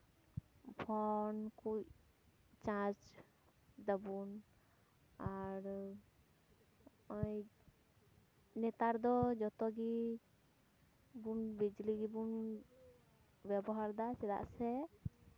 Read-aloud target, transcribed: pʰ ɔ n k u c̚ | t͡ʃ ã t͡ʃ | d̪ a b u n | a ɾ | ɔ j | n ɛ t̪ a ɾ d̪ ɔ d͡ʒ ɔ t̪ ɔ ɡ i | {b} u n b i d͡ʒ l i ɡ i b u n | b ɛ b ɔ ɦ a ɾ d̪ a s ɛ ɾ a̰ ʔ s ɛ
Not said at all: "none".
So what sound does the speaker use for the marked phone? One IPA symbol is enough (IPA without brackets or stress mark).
b